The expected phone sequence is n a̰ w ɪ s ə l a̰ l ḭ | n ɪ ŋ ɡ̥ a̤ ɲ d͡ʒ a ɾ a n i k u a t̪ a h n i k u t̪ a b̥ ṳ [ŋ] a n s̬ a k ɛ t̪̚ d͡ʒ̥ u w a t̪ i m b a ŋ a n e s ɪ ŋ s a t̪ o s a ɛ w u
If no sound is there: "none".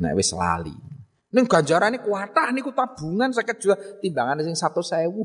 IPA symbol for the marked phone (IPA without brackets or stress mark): ŋ